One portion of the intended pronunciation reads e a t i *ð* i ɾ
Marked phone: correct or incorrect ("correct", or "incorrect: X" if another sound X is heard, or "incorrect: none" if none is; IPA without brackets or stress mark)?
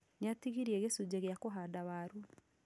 incorrect: ɣ